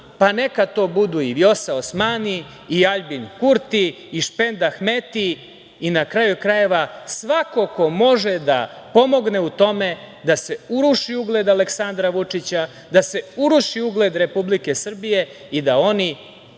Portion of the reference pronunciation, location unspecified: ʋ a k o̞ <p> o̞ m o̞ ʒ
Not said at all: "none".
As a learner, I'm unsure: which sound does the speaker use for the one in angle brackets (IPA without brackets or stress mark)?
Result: k